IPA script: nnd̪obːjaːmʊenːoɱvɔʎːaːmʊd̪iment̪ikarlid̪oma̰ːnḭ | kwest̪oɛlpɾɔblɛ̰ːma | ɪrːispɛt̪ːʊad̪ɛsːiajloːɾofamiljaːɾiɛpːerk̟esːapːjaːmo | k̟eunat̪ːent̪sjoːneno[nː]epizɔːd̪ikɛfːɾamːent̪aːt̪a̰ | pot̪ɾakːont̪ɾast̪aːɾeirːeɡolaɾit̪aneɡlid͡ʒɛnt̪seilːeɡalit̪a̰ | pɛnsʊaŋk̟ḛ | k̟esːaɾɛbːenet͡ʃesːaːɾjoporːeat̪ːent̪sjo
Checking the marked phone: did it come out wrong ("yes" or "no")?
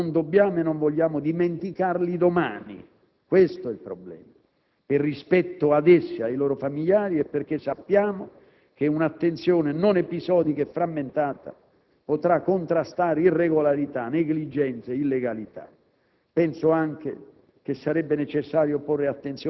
yes